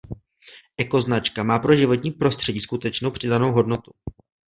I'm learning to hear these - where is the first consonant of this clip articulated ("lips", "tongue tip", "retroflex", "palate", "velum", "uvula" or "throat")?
throat